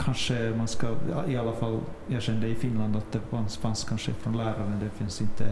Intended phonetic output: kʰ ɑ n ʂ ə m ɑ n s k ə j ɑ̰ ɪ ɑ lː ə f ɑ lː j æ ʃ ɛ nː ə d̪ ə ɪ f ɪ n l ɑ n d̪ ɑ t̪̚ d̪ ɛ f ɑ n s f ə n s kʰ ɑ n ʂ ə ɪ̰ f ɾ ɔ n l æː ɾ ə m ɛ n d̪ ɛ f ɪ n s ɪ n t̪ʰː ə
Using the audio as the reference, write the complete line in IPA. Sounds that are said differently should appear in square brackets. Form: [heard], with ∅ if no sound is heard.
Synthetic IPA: kʰ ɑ n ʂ ə m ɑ n s k [ɑ] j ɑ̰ ɪ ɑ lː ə f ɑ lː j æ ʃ ɛ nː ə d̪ ə ɪ f ɪ n l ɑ n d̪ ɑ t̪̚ d̪ ɛ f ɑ n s f [ɑ] n s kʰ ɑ n ʂ ə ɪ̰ f ɾ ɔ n l æː ɾ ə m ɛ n d̪ ɛ f ɪ n s ɪ n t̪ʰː ə